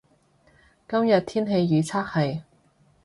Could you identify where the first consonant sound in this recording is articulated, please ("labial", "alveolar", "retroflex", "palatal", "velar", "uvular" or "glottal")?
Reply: velar